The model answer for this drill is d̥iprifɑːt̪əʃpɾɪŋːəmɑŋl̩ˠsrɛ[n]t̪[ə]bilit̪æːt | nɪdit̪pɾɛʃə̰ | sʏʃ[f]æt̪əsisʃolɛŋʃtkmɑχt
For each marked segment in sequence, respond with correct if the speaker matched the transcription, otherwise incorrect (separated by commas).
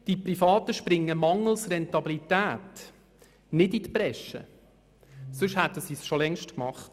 correct, incorrect, incorrect